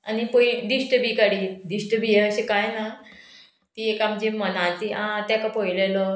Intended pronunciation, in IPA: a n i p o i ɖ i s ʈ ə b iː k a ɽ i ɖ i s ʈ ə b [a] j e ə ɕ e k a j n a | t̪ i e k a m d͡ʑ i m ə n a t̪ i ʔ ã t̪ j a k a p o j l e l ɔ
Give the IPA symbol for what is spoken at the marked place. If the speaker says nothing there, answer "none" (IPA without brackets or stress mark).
i